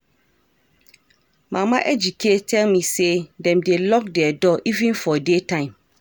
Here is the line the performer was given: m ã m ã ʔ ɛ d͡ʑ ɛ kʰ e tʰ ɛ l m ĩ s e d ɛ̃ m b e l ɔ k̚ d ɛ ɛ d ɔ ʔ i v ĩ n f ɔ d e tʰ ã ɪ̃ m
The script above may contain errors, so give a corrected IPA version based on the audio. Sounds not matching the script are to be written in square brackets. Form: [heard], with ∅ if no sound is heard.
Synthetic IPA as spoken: m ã m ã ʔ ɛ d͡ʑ [i] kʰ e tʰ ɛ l m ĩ s e d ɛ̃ m [d] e l ɔ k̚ d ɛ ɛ d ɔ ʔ i v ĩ n f ɔ d e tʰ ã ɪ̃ m